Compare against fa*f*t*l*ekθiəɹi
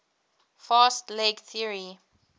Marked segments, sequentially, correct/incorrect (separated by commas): incorrect, correct